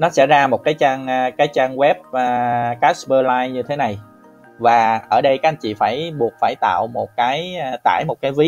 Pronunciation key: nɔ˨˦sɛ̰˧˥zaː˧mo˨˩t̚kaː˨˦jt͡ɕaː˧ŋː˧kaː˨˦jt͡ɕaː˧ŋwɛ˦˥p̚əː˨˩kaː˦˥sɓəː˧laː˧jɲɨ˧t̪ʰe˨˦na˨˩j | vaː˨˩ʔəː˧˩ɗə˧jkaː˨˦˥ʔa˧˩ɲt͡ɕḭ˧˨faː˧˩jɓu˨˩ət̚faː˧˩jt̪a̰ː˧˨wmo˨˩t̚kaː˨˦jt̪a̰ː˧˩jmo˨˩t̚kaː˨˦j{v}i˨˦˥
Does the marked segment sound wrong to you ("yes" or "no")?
no